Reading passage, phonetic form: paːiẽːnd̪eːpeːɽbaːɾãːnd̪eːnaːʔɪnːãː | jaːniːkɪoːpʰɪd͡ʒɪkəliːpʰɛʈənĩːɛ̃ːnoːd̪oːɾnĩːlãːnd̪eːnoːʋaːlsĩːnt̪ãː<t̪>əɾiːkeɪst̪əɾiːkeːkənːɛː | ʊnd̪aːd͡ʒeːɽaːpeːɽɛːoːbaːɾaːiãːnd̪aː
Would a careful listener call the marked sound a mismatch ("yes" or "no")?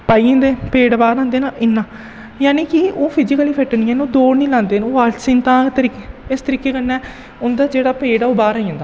no